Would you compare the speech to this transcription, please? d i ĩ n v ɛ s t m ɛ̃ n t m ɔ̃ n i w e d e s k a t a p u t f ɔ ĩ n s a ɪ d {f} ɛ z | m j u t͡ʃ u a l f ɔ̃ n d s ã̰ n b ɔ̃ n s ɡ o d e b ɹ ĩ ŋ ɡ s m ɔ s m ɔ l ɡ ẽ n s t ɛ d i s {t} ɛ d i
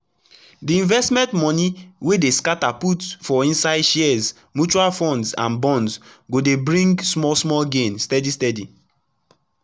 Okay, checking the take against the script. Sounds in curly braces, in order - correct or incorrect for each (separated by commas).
incorrect, correct